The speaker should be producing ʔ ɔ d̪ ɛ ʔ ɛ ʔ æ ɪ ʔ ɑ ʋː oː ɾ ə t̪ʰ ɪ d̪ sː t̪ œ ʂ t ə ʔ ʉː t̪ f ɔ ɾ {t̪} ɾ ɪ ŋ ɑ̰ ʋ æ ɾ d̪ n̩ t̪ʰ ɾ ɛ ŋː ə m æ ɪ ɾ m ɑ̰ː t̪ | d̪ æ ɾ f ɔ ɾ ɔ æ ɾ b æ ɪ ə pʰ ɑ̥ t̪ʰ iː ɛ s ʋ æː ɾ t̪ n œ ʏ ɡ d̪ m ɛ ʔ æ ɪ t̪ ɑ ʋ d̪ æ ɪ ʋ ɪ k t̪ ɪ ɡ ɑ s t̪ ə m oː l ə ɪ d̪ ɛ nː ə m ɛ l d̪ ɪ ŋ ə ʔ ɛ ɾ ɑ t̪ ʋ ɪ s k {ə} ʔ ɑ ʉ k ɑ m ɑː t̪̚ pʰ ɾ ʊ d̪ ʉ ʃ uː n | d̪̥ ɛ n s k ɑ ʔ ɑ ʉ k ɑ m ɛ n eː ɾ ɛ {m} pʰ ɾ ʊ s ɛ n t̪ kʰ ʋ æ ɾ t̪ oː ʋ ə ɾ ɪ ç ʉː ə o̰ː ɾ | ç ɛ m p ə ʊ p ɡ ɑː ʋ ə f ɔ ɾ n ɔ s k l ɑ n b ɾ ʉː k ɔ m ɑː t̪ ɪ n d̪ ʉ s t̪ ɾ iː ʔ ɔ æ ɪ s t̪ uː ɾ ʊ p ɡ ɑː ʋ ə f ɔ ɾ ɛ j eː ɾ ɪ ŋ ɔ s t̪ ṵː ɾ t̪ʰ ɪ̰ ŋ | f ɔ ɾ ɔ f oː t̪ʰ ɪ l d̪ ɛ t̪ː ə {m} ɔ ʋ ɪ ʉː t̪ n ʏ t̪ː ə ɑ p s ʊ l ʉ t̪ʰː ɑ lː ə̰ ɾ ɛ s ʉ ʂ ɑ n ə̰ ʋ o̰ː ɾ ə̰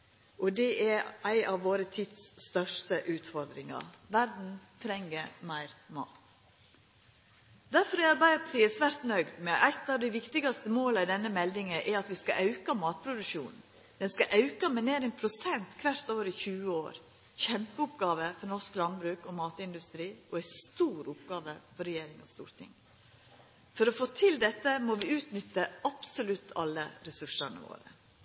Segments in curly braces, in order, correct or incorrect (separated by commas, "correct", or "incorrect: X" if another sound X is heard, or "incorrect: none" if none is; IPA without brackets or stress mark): incorrect: d̪, incorrect: ɑ, incorrect: n, correct